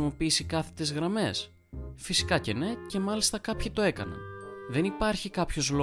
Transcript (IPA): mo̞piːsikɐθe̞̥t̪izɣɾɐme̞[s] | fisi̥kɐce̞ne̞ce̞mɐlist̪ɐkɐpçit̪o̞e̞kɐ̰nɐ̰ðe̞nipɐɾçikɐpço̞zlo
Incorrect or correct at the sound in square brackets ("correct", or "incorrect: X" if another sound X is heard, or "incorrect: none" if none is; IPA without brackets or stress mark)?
correct